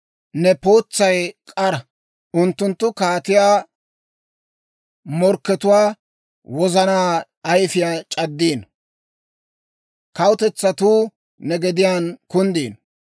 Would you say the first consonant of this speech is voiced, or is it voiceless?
voiced